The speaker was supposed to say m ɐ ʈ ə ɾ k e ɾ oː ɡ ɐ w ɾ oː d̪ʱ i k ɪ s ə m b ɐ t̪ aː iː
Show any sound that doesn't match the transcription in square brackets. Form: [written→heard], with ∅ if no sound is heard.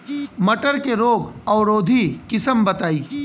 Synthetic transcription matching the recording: m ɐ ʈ ə ɾ k e ɾ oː ɡ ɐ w ɾ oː d̪ʱ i k ɪ s ə m b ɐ t̪ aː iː